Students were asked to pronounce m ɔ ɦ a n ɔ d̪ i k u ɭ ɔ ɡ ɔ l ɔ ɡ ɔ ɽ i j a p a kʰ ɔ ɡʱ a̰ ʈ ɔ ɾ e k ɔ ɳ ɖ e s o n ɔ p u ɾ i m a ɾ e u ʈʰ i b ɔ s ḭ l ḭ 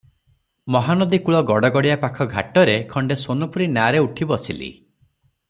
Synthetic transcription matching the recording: m ɔ ɦ a n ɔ d̪ i k u ɭ ɔ ɡ ɔ ɽ ɔ ɡ ɔ ɽ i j a p a kʰ ɔ ɡʱ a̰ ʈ ɔ ɾ e kʰ ɔ ɳ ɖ e s o n ɔ p u ɾ i n a ɾ e u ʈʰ i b ɔ s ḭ l ḭ